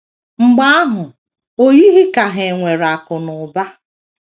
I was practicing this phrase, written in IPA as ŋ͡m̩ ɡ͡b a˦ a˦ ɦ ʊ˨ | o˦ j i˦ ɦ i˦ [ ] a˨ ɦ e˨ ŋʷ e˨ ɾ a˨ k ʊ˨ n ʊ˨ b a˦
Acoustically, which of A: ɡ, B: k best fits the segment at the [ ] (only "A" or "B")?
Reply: B